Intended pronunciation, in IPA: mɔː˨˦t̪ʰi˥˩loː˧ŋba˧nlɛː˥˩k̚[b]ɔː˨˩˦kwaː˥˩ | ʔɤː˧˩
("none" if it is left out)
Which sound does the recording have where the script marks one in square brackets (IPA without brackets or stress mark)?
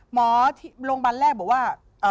b